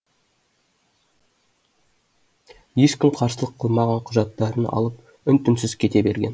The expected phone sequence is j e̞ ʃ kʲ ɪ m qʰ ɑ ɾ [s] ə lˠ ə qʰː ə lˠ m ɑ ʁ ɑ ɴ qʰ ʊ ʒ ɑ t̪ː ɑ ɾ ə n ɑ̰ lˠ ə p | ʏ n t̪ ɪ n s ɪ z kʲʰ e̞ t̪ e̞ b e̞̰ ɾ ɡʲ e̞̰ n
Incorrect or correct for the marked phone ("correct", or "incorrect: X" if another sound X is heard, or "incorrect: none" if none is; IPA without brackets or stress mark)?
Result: correct